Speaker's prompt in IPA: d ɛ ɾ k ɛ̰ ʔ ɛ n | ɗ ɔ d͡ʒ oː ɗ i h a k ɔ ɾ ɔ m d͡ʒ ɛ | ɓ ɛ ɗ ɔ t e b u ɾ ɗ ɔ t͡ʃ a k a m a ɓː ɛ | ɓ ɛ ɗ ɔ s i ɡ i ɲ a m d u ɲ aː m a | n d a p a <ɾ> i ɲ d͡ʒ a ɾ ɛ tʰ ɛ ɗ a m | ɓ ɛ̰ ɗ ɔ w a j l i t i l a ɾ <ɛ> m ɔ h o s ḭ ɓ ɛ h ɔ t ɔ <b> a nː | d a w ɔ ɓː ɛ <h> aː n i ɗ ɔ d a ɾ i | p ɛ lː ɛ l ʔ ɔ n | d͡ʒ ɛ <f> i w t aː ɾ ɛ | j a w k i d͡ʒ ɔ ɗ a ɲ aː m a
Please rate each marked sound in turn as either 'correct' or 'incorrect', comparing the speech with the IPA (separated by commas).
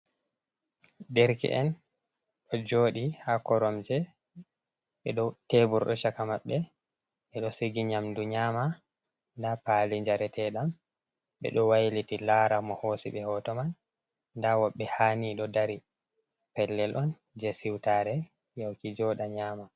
incorrect, incorrect, incorrect, correct, incorrect